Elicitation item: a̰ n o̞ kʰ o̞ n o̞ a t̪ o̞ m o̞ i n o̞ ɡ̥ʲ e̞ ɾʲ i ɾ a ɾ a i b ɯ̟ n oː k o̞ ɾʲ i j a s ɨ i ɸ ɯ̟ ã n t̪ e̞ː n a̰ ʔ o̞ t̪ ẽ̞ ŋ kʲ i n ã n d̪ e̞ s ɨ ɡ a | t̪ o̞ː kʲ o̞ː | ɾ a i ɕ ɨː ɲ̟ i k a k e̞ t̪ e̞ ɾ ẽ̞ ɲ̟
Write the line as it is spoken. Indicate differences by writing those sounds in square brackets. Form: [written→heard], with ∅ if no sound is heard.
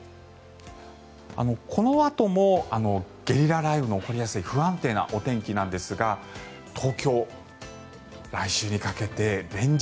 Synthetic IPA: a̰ n o̞ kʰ o̞ n o̞ a t̪ o̞ m o̞ [i→a] n o̞ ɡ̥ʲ e̞ ɾʲ i ɾ a ɾ a i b ɯ̟ n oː k o̞ ɾʲ i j a s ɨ i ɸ ɯ̟ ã n t̪ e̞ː n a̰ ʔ o̞ t̪ ẽ̞ ŋ kʲ i n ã n d̪ e̞ s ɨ ɡ a | [t̪→t̪ʰ] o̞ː kʲ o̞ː | ɾ a i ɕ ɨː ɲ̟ i k a k e̞ t̪ e̞ ɾ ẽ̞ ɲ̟